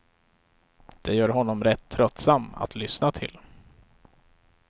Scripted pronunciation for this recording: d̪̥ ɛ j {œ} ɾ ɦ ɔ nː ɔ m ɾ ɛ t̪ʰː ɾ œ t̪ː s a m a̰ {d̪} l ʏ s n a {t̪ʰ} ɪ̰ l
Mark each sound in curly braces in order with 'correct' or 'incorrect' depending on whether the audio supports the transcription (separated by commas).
incorrect, incorrect, correct